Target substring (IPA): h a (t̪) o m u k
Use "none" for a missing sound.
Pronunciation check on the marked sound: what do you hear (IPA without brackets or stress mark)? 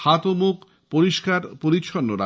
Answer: t̪